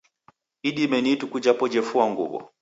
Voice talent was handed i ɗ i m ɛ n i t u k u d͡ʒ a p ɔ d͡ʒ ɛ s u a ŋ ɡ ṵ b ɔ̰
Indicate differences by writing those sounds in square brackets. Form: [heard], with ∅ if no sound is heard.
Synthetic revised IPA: i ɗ i m ɛ n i t u k u d͡ʒ a p ɔ d͡ʒ ɛ [f] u a ŋ ɡ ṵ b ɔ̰